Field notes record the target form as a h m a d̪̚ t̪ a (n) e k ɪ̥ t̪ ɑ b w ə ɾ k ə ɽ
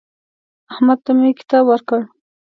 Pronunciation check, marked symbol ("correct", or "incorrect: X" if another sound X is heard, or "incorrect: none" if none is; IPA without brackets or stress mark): incorrect: m